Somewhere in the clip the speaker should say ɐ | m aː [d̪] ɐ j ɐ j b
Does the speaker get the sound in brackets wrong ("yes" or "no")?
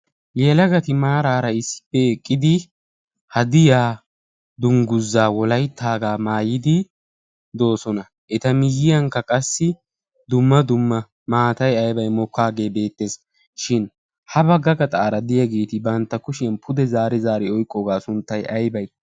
yes